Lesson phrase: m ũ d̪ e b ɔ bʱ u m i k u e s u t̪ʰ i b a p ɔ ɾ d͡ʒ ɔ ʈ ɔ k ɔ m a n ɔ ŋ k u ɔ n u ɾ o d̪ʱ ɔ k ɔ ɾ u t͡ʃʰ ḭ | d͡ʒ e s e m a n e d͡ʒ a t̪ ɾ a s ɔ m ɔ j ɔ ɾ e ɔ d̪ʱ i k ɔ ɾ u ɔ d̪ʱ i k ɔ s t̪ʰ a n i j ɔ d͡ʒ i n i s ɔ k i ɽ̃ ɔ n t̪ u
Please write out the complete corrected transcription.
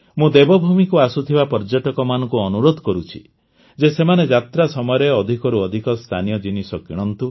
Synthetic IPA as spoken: m ũ d̪ e b ɔ bʱ u m i k u a s u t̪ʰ i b a p ɔ ɾ d͡ʒ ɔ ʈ ɔ k ɔ m a n ɔ ŋ k u ɔ n u ɾ o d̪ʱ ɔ k ɔ ɾ u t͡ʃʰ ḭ | d͡ʒ e s e m a n e d͡ʒ a t̪ ɾ a s ɔ m ɔ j ɔ ɾ e ɔ d̪ʱ i k ɔ ɾ u ɔ d̪ʱ i k ɔ s t̪ʰ a n i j ɔ d͡ʒ i n i s ɔ k i ɽ̃ ɔ n t̪ u